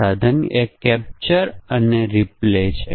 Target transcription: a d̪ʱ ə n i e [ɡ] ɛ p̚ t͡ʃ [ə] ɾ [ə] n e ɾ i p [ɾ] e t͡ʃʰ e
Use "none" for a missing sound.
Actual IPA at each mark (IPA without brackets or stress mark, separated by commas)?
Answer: k, ə, ə, l